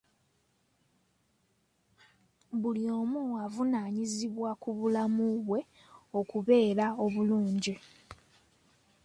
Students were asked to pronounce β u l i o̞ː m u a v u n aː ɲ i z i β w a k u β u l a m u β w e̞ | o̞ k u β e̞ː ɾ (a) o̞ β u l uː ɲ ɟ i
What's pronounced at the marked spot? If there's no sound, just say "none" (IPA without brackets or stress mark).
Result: a